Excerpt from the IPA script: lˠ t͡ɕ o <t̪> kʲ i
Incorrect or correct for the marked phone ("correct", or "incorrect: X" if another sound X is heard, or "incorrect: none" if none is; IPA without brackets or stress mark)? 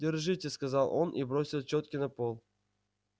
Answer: correct